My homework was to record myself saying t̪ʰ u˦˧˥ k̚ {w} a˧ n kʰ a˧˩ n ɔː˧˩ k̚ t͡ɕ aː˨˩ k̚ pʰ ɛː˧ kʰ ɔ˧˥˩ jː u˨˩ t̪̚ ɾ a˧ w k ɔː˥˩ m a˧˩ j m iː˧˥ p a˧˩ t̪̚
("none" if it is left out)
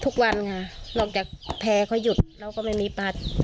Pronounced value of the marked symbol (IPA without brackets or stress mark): w